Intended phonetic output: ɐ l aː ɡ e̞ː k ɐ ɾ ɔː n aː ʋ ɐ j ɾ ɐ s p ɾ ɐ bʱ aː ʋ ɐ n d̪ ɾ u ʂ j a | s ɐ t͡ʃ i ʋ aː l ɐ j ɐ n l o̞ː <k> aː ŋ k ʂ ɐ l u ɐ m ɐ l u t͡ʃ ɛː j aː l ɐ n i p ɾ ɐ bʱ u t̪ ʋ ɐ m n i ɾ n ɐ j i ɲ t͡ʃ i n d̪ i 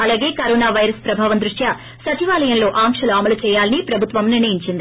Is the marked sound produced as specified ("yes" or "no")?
no